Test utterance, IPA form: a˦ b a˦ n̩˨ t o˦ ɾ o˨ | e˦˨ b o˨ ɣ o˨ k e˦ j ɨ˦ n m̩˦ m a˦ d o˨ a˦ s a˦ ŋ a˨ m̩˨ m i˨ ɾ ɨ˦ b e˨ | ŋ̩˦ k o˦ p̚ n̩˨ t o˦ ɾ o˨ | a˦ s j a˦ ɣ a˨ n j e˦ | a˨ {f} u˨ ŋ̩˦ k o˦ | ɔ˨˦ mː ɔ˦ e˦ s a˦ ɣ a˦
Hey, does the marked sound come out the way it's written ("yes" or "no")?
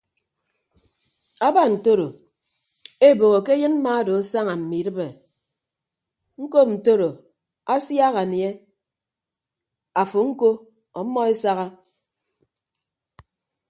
yes